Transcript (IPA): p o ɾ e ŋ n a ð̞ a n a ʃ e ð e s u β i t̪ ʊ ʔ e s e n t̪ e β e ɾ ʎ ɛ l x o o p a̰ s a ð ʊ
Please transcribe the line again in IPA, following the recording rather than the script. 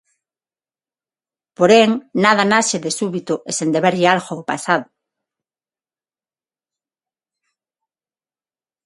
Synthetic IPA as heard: p o ɾ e ŋ n a ð̞ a n a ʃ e ð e s u β i t̪ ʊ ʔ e s e n d̪ e β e ɾ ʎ a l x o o p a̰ s a ð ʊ